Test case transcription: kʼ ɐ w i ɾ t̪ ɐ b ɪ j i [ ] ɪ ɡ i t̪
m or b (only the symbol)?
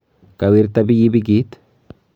b